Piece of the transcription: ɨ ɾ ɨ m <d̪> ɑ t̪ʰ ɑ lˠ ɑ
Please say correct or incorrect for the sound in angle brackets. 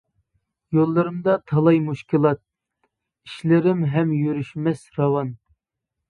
correct